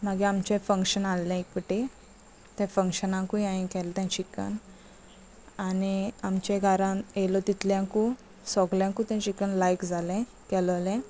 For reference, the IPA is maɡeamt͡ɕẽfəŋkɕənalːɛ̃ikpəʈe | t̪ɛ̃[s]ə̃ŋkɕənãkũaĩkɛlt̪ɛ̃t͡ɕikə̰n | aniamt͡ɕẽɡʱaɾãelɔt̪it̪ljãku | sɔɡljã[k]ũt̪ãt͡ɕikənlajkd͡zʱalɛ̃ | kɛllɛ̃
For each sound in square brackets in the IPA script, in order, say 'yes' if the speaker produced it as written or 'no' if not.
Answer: no, yes

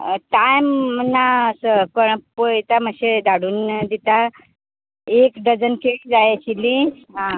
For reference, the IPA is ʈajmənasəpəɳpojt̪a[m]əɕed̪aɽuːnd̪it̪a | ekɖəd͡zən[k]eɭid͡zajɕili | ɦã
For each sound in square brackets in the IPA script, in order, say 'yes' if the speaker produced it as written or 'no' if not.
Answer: yes, yes

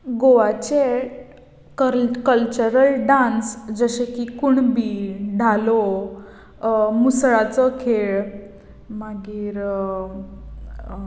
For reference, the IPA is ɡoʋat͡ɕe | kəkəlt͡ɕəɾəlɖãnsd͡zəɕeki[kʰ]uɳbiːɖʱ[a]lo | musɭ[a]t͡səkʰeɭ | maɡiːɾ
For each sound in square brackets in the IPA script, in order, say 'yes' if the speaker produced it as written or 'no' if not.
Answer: no, yes, yes

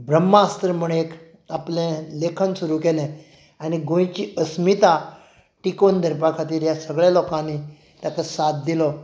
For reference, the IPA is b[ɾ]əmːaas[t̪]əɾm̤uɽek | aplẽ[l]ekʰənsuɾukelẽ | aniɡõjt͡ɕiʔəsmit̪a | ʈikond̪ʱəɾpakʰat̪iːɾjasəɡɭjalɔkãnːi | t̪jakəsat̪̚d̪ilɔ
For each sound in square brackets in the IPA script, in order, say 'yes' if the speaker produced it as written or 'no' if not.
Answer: yes, yes, yes

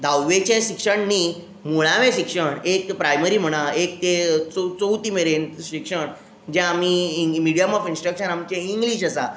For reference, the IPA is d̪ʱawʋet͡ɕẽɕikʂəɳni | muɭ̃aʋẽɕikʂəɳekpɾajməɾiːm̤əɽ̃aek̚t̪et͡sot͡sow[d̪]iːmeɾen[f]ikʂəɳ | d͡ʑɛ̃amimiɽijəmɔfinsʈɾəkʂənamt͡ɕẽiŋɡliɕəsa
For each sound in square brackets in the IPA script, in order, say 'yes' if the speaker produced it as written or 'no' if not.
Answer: no, no

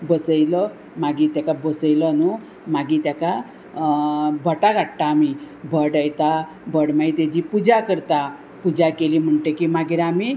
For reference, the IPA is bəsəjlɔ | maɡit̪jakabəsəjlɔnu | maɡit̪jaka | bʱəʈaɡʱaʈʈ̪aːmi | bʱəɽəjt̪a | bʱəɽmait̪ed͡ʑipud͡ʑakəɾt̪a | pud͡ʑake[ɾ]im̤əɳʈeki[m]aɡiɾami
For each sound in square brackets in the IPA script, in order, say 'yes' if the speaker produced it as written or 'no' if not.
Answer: no, yes

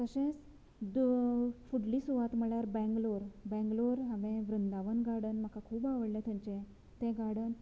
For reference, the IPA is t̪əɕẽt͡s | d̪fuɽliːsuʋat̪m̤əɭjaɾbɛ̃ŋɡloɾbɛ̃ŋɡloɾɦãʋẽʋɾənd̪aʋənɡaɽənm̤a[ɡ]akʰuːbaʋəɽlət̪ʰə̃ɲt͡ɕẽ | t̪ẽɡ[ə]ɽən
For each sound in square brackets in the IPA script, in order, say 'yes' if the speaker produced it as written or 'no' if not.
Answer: no, no

